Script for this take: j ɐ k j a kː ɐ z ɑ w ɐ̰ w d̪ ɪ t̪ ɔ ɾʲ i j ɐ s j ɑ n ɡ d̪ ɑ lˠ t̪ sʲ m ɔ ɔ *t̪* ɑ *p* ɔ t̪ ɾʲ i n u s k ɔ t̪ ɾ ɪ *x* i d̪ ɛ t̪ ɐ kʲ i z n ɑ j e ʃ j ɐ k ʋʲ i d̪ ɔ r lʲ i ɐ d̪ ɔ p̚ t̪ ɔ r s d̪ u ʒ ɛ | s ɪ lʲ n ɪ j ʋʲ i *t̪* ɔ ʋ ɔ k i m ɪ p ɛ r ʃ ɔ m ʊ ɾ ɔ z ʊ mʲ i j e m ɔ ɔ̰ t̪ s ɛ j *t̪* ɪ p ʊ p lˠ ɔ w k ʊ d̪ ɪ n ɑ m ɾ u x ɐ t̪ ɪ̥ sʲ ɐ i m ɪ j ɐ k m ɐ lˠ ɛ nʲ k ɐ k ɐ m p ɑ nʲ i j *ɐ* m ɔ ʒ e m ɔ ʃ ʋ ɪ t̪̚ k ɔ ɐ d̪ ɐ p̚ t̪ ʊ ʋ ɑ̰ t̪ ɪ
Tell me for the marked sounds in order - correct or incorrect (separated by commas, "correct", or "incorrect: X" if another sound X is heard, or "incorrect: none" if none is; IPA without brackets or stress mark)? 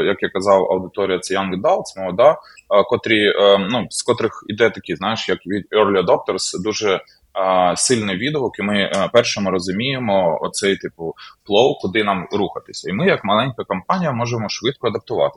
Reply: incorrect: d̪, incorrect: k, correct, incorrect: d̪, correct, correct